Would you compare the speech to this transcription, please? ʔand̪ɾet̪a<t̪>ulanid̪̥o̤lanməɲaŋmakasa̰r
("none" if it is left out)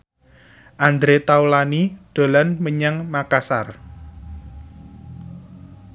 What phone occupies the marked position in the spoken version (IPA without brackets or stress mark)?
none